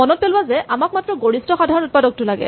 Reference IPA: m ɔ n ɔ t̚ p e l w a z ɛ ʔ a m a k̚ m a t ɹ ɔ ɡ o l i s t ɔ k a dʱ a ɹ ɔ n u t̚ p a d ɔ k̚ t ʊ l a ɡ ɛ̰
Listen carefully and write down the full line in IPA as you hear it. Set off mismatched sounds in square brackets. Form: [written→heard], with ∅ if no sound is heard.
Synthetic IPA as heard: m ɔ n ɔ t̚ p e l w a z ɛ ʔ a m a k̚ m a t ɹ ɔ ɡ o [l→ɹ] i s t ɔ [k→x] a dʱ a ɹ ɔ n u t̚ p a d ɔ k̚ t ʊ l a ɡ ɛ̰